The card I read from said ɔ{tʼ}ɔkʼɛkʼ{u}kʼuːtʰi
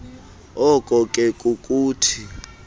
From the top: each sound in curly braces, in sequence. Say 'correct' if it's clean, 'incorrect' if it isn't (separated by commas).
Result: incorrect, correct